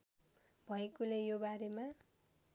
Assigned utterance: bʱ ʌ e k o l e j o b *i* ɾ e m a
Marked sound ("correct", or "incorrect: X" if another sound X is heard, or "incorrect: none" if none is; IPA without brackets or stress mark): incorrect: a